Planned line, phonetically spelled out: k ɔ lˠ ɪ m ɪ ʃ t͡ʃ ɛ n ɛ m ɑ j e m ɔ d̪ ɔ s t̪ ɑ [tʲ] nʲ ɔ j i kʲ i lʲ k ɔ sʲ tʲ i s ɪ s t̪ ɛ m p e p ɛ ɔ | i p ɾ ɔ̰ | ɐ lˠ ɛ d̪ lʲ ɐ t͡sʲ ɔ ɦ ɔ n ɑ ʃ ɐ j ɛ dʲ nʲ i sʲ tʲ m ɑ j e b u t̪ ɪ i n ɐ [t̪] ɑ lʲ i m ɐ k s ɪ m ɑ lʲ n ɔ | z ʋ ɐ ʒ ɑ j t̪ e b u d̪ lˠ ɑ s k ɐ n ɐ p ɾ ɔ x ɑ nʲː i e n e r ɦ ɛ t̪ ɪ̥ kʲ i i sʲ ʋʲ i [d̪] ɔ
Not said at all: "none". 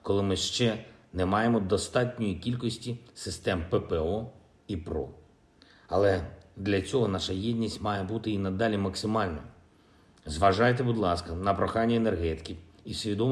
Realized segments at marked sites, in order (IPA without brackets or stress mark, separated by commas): tʲ, d̪, d̪